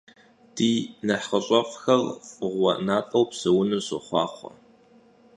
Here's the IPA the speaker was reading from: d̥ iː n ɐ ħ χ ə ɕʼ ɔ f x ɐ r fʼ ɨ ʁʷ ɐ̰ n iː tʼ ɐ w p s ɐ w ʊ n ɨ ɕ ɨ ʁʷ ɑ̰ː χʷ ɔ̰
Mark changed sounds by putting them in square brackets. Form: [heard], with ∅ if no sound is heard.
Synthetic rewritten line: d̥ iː n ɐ ħ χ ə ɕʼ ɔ f x ɐ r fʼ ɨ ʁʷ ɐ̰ n [aː] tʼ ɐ w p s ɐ w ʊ n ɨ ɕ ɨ [χʷ] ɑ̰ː χʷ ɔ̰